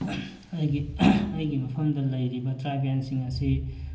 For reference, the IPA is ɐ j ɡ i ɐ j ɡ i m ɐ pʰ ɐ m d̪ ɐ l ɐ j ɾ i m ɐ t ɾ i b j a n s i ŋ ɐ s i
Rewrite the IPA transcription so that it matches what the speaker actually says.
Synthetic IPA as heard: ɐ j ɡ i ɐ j ɡ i m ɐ pʰ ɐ m d̪ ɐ l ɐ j ɾ i b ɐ t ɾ a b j a n s i ŋ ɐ s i